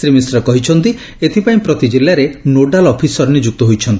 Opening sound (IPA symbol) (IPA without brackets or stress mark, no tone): ɾ